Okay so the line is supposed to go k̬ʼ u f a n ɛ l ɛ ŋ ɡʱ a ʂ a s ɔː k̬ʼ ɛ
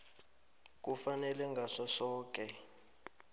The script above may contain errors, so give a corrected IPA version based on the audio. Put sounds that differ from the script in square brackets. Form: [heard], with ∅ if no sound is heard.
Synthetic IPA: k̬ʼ u f a n ɛ l ɛ ŋ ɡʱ a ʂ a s ɔː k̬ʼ ɛ

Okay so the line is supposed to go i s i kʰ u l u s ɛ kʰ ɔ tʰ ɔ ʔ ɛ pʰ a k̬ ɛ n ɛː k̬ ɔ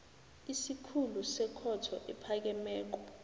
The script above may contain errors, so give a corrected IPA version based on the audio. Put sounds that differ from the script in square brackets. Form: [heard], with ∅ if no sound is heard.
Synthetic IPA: i s i kʰ u l u s ɛ kʰ ɔ tʰ ɔ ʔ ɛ pʰ a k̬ ɛ [m] ɛː k̬ ɔ

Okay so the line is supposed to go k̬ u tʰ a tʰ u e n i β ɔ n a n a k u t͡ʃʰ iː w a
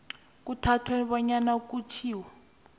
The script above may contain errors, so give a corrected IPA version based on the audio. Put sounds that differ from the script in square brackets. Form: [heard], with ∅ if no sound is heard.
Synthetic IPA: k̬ u tʰ a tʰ [w] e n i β ɔ [ɲ] a n a k u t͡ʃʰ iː w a

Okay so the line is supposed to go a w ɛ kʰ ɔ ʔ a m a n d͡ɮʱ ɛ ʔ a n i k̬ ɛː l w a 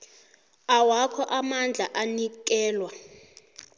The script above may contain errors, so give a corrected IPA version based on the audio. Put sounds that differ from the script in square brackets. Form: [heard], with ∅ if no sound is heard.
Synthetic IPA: a w [a] kʰ ɔ ʔ a m a n d͡ɮʱ [a] ʔ a n i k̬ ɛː l w a

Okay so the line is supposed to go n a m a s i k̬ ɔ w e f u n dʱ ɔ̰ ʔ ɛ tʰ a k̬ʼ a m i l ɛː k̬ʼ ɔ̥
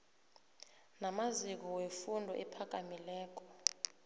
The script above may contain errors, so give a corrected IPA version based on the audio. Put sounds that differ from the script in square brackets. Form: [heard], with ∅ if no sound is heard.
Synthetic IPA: n a m a [z] i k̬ ɔ w e f u n dʱ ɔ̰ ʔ ɛ [pʰ] a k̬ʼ a m i l ɛː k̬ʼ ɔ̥

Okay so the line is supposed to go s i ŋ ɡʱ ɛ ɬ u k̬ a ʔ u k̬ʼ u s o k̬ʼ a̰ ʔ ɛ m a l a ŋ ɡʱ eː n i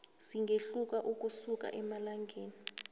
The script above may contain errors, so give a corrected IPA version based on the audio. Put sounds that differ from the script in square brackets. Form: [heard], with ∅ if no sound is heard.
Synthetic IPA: s i ŋ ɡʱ [e] ɬ u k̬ a ʔ u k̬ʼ u s [u] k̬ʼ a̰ ʔ ɛ m a l a ŋ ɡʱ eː n i

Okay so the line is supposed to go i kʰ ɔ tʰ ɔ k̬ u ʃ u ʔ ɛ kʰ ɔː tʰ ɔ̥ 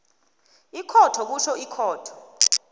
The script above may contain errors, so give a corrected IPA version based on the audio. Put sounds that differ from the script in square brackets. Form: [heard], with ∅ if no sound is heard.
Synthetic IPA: i kʰ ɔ tʰ ɔ k̬ u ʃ [ɔ] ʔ [i] kʰ ɔː tʰ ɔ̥

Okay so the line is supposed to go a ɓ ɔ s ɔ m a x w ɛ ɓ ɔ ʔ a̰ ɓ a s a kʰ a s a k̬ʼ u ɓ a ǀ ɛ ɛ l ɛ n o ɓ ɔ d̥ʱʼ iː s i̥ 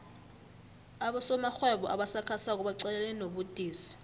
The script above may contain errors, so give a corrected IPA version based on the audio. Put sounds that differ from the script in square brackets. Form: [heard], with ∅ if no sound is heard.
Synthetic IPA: a ɓ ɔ s ɔ m a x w ɛ ɓ ɔ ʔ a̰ ɓ a s a kʰ a s a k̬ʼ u ɓ a ǀ ɛ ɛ l ɛ n o ɓ [u] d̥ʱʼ iː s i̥

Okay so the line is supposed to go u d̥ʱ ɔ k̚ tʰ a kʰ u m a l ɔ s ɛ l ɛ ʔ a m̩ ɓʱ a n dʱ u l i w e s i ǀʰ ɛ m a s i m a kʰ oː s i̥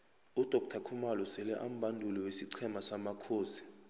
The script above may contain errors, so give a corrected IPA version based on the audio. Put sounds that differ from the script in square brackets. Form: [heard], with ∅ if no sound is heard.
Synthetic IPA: u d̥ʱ ɔ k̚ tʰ a kʰ u m a l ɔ s ɛ l ɛ ʔ a m̩ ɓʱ a n dʱ u l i w e s i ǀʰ ɛ m a s [a] m a kʰ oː s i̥

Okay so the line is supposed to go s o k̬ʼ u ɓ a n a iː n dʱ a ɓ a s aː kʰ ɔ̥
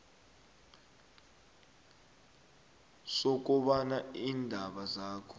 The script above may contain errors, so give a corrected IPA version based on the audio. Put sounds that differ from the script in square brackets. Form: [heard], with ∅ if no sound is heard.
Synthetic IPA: s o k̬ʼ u ɓ a n a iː n dʱ a ɓ a [z] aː kʰ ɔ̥

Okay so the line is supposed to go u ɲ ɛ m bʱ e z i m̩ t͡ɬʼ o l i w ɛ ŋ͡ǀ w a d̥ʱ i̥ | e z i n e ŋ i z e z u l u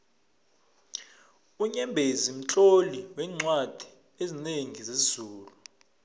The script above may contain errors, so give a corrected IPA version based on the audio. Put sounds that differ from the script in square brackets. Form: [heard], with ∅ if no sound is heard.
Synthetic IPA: u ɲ ɛ m bʱ e z i m̩ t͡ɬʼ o l i w ɛ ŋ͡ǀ w a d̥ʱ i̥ | e z i n e ŋ i z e z [uː] l u

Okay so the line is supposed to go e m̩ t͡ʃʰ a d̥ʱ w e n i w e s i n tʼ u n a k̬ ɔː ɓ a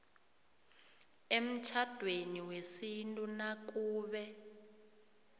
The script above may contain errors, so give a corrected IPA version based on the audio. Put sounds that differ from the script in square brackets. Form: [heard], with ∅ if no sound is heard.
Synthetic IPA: e m̩ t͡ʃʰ a d̥ʱ w e n i w e s i n tʼ u n a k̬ [uː] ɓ [ɛ]

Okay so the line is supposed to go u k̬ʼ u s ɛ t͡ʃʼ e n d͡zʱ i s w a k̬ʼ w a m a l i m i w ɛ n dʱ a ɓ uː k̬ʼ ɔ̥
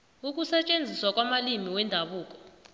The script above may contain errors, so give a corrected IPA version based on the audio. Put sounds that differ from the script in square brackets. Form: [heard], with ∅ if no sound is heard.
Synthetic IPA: u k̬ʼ u s ɛ t͡ʃʼ e n d͡zʱ i s w a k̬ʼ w a m a l i m i w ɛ n dʱ a ɓ uː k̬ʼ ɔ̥

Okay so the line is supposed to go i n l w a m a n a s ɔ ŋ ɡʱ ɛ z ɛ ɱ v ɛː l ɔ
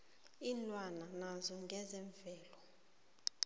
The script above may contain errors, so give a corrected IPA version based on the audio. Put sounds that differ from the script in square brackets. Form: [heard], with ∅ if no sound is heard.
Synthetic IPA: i n l w a [n] a n a [z] ɔ ŋ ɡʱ ɛ z ɛ ɱ v ɛː l ɔ

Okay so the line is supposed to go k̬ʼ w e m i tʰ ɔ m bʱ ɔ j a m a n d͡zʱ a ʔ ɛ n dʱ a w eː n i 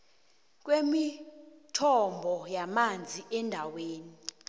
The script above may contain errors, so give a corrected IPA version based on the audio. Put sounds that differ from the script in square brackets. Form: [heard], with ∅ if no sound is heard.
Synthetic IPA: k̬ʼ w e m i tʰ ɔ m bʱ ɔ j a m a n d͡zʱ [i] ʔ ɛ n dʱ a w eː n i

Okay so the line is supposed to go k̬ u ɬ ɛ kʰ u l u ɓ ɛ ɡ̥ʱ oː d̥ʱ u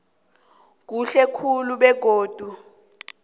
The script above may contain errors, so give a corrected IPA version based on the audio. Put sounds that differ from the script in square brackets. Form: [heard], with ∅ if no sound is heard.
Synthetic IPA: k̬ u ɬ ɛ kʰ u l u ɓ ɛ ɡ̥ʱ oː d̥ʱ u

